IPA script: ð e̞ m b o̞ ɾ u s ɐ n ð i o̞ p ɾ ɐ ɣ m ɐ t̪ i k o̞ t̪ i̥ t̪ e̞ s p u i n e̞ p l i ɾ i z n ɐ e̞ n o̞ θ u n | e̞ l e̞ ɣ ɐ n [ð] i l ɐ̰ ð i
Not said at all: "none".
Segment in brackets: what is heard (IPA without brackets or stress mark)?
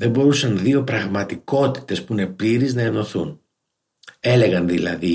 ð